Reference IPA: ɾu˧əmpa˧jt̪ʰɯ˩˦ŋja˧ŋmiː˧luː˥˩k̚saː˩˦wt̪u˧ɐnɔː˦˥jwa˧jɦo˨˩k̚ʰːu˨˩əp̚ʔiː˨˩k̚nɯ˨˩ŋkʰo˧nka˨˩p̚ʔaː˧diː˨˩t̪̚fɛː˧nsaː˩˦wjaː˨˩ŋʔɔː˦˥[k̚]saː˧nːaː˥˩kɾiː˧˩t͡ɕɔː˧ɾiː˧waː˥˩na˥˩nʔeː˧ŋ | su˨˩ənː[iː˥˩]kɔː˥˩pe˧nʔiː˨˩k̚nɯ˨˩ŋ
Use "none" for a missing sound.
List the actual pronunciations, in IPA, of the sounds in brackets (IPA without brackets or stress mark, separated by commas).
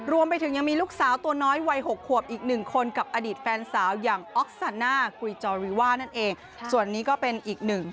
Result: k̚, iː˦˥